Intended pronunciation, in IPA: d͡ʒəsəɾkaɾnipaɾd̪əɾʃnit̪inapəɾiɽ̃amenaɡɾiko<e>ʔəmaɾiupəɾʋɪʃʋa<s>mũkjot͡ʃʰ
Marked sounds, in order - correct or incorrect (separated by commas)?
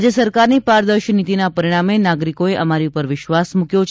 correct, correct